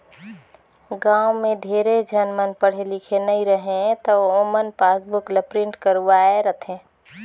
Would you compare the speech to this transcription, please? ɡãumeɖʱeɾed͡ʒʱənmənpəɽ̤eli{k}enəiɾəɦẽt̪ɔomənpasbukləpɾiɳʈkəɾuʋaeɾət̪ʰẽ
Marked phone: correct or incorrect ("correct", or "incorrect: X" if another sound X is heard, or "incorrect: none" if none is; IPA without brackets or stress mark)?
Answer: incorrect: kʰ